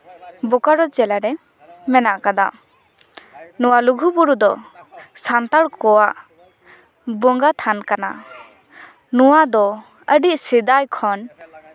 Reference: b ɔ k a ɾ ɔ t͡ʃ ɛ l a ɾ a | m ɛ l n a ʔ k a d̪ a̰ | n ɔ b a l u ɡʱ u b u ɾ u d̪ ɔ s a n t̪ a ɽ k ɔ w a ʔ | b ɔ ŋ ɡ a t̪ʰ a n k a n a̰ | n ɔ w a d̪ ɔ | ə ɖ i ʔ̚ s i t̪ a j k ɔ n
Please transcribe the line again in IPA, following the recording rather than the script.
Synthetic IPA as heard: b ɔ k a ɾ ɔ t͡ʃ ɛ l a ɾ ɛ | m ɛ n a ʔ k a d̪ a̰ | n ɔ w a l u ɡʱ u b u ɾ u d̪ ɔ s a n t̪ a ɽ k ɔ w a ʔ | b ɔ ŋ ɡ a t̪ʰ a n k a n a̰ | n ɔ w a d̪ ɔ | ə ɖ i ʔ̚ s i d̪ a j kʰ ɔ n